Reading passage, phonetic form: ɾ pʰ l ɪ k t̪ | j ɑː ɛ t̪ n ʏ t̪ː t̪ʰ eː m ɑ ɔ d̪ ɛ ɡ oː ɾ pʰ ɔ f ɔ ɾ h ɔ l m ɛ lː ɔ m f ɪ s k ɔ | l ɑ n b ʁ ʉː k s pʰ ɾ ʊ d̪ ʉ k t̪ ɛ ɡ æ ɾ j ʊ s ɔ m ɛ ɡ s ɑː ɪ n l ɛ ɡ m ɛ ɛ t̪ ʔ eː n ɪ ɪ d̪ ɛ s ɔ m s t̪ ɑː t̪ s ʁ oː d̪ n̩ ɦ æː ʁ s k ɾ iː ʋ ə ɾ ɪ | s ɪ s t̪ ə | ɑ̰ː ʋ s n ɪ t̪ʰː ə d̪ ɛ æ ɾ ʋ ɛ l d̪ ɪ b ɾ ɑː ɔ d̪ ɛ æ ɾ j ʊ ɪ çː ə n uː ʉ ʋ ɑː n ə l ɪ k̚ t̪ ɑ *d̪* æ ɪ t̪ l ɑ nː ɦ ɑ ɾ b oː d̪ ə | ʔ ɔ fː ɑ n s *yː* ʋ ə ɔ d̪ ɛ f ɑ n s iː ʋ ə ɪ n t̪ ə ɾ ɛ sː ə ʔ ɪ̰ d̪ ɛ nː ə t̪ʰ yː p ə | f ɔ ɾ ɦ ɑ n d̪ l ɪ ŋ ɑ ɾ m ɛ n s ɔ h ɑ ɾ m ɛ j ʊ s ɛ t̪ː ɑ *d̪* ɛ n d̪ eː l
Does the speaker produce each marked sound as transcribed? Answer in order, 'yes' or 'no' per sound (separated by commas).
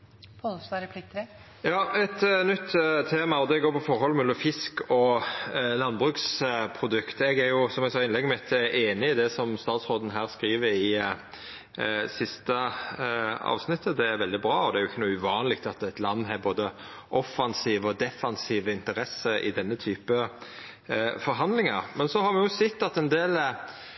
no, no, no